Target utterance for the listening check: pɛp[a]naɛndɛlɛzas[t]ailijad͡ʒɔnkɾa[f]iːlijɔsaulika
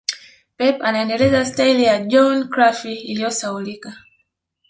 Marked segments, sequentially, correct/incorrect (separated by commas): correct, correct, correct